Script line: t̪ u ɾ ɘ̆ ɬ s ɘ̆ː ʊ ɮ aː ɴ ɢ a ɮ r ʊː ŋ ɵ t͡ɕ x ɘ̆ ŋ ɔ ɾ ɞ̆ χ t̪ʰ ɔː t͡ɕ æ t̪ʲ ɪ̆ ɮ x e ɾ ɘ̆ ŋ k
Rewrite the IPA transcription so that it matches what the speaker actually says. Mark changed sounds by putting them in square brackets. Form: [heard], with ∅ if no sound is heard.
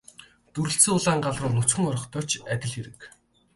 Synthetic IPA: t̪ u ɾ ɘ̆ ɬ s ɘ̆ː ʊ ɮ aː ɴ ɢ a ɮ r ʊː [n] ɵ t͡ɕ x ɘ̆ ŋ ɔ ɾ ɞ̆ χ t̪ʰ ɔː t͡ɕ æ t̪ʲ ɪ̆ ɮ x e ɾ ɘ̆ [∅] k